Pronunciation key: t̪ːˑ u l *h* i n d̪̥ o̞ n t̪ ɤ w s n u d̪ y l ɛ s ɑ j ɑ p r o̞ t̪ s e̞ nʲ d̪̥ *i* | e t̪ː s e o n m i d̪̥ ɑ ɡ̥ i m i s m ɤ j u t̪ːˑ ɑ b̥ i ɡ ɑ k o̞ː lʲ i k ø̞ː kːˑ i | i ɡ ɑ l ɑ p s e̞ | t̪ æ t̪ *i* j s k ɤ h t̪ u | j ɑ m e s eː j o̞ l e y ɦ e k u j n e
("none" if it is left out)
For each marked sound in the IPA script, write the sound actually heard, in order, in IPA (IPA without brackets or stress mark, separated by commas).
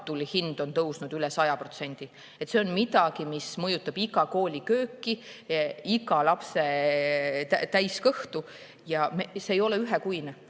h, i, æ